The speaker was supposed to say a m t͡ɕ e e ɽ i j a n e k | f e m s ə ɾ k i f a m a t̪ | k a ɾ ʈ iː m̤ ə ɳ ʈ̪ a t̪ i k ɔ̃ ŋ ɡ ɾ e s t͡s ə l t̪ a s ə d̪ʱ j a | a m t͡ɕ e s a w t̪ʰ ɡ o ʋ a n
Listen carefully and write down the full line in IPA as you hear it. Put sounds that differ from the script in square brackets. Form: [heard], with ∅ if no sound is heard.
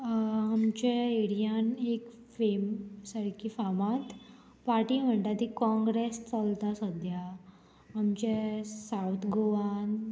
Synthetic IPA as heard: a m t͡ɕ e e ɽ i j a n e k | f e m s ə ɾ k i f a m a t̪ | [p] a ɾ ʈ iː m̤ ə ɳ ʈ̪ a t̪ i k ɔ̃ ŋ ɡ ɾ e s t͡s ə l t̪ a s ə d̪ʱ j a | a m t͡ɕ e s a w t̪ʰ ɡ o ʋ a n